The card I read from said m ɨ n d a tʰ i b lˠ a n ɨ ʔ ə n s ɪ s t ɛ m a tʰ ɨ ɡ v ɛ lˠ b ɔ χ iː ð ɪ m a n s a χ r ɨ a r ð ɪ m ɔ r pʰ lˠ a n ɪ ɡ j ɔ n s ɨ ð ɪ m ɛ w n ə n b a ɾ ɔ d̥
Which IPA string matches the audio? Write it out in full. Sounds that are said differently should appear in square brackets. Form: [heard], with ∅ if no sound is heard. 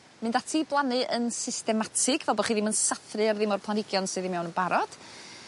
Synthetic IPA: m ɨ n d a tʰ i b lˠ a n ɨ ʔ ə n s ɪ s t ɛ m a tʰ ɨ ɡ v ɛ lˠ b ɔ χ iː ð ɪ m [ə] n s a [θ] r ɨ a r ð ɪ m ɔ r pʰ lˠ a n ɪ ɡ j ɔ n s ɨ ð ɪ m ɛ w n ə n b a ɾ ɔ d̥